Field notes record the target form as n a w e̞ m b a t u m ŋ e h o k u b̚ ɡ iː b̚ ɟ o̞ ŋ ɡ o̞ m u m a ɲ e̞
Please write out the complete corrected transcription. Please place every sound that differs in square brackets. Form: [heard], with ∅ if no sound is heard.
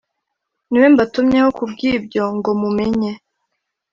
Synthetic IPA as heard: n [i] w e̞ m b a t u m [ɲ] e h o k u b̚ ɡ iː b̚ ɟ o̞ ŋ ɡ o̞ m u m [e] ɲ e̞